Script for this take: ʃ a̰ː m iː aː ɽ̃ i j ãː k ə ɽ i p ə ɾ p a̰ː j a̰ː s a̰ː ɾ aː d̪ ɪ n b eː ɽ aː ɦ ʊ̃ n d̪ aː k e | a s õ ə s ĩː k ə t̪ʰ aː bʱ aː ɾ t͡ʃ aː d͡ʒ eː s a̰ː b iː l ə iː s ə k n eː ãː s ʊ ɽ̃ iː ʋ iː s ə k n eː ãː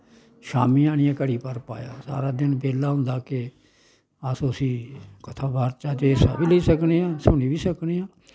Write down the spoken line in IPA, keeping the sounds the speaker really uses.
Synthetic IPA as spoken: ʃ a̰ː m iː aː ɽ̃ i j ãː k ə ɽ iː p ə ɾ p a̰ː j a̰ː s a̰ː ɾ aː d̪ ɪ n b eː l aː ɦ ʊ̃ n d̪ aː k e | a s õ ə s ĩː k ə t̪ʰ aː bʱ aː ɾ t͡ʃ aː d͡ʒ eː s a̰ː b iː l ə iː s ə k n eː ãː s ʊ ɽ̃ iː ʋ iː s ə k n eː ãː